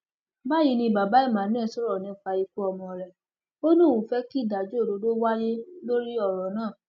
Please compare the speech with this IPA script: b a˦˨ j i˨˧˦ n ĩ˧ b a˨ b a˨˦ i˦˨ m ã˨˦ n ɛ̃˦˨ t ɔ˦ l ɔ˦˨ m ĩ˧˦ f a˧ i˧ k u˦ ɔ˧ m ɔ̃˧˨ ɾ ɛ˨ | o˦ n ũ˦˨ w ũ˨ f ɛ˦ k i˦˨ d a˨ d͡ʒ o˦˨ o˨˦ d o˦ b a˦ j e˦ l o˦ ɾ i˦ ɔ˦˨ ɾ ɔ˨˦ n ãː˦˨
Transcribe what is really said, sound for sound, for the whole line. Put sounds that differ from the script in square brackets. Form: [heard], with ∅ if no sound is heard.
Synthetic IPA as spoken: b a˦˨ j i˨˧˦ n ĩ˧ b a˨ b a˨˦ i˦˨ m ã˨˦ n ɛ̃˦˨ [s] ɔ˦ [ɾ] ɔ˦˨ [n] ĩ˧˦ f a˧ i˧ k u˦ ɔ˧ m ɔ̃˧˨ ɾ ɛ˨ | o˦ n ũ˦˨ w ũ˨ f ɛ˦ k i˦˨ d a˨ d͡ʒ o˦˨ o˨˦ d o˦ [w] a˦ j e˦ l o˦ ɾ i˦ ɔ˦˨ ɾ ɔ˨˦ n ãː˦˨